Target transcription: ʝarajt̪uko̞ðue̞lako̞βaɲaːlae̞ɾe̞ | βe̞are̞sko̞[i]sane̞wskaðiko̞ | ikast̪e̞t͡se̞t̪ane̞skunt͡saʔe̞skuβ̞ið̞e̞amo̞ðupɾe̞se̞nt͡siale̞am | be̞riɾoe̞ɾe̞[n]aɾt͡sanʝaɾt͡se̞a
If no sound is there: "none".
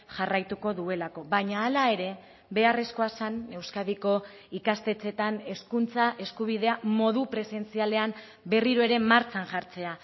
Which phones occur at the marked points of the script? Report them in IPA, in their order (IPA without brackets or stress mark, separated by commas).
a, m